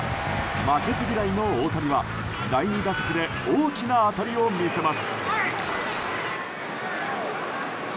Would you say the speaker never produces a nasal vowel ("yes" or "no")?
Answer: yes